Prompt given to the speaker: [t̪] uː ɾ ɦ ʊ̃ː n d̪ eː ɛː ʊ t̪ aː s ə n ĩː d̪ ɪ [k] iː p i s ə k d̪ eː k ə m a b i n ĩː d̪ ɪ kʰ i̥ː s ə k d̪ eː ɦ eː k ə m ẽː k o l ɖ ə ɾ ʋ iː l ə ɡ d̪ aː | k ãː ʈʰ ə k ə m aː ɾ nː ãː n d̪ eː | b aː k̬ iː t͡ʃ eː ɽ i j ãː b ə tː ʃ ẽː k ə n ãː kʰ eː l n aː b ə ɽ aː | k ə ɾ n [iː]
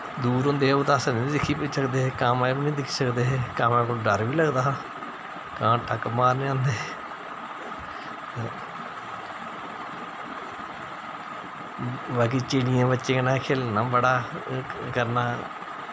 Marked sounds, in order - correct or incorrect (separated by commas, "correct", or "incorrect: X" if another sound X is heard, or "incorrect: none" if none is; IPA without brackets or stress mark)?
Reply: incorrect: d̪, incorrect: kʰ, incorrect: aː